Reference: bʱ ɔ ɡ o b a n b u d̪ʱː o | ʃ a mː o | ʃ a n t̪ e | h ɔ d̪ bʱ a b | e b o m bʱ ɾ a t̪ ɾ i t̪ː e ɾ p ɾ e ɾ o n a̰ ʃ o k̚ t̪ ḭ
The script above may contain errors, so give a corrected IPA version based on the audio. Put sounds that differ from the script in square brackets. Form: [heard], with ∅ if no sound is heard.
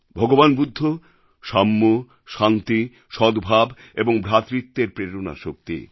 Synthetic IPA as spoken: bʱ ɔ ɡ o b a n b u d̪ʱː o | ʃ a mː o | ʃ a n t̪ [i] | [ʃ] ɔ d̪ bʱ a b | e b o [ŋ] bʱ ɾ a t̪ ɾ i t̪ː e ɾ p ɾ e ɾ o n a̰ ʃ o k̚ t̪ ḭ